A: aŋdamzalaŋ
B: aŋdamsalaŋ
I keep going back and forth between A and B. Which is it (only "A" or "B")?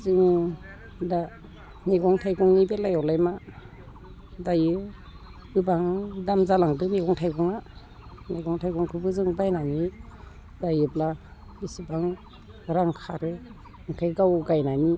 A